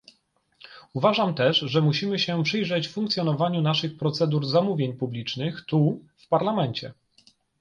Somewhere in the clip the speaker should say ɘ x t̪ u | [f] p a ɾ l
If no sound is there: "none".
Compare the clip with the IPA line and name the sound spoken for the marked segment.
f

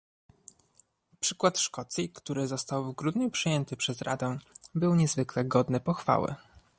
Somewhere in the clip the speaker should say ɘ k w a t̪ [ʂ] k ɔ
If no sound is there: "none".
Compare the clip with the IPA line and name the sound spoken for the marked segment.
ʂ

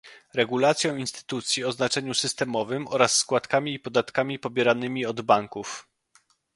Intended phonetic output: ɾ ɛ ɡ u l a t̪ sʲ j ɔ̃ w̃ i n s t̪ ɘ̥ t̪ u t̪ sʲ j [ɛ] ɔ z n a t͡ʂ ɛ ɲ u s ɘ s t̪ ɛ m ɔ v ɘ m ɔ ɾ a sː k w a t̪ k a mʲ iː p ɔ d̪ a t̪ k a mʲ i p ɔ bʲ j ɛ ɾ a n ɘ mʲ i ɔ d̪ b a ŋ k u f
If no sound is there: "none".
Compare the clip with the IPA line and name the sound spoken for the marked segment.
i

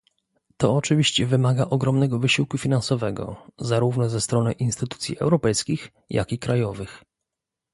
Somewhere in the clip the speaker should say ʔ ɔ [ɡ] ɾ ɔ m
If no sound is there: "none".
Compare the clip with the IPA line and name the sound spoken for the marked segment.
ɡ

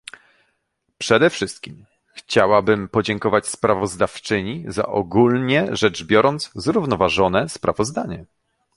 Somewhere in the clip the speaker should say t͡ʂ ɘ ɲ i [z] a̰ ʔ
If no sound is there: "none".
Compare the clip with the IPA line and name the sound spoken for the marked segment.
z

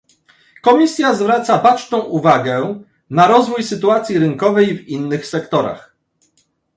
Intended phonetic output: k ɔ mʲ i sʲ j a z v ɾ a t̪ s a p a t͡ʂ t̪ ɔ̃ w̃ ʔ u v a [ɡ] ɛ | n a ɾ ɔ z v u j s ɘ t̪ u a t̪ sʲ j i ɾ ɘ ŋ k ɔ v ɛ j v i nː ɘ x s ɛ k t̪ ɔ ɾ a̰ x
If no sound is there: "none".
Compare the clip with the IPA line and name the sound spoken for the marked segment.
ɡ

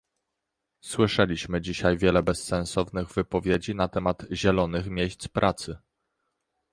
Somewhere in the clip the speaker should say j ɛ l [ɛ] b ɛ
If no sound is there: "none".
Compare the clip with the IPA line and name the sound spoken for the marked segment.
ɛ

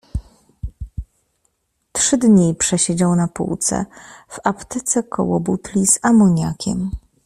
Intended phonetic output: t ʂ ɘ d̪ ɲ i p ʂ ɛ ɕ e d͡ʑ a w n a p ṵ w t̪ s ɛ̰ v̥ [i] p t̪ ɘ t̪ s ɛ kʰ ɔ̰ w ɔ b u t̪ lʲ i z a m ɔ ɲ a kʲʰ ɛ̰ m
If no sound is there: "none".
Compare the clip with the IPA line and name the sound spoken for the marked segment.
a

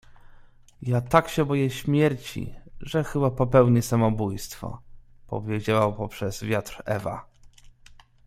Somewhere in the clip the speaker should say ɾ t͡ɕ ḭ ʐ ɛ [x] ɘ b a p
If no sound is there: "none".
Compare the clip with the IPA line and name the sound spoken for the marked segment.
x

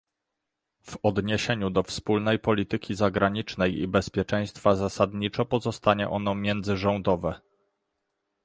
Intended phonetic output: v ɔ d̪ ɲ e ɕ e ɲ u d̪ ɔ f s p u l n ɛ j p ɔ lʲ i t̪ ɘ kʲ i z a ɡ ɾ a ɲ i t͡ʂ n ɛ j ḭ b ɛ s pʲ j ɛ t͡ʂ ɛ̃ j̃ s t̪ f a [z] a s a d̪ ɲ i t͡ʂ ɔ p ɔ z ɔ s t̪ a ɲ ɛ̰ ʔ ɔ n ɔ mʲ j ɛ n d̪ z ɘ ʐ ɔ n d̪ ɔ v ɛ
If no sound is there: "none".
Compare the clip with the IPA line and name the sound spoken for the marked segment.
z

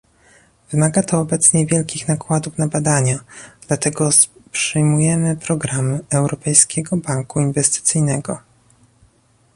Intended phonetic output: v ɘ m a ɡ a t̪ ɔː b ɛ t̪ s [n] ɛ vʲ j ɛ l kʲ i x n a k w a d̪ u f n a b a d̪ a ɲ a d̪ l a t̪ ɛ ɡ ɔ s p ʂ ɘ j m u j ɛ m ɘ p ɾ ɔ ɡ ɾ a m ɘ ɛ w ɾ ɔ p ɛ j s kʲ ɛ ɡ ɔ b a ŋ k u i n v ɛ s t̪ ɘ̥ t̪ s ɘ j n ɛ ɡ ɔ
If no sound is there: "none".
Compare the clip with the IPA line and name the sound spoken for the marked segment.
ɲ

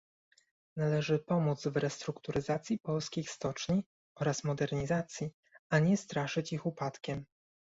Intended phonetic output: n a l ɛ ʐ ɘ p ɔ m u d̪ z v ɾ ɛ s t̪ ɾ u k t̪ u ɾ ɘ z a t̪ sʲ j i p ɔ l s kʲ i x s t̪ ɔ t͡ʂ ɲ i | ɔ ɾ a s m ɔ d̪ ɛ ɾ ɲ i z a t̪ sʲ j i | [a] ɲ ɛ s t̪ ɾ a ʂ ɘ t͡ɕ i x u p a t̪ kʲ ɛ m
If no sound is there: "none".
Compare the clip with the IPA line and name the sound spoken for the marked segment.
a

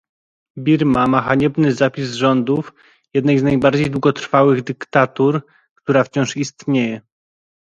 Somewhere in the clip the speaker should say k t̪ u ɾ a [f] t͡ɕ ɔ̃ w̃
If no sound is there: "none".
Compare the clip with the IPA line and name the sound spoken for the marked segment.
f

